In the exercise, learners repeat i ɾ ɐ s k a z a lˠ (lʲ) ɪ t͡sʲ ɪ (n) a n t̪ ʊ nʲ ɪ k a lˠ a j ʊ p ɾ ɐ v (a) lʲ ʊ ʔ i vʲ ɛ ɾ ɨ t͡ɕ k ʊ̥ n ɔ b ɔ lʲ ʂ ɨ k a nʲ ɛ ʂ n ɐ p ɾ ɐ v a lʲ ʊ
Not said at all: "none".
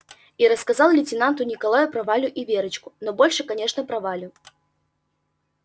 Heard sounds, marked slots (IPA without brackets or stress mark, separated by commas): lʲ, n, a